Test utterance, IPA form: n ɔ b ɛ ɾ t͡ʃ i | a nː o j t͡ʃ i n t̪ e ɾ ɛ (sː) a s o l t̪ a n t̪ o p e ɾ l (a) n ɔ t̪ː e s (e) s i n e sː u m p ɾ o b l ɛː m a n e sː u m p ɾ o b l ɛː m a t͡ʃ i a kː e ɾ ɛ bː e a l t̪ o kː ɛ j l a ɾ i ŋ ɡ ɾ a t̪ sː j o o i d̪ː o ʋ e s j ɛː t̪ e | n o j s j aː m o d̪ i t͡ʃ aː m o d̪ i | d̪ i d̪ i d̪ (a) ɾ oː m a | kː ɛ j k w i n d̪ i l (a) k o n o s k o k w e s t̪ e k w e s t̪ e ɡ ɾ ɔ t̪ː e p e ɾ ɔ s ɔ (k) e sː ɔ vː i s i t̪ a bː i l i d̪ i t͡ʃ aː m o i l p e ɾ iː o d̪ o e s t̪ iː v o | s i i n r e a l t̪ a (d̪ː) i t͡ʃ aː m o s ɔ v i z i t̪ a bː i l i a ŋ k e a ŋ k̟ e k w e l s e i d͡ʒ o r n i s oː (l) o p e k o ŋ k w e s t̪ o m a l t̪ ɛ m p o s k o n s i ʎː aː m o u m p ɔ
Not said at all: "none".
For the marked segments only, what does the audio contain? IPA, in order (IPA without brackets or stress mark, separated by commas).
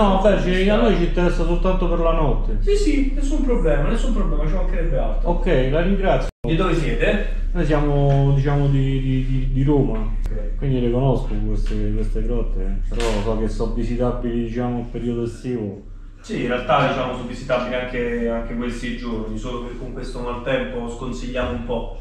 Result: sː, a, i, i, e, k, d̪, l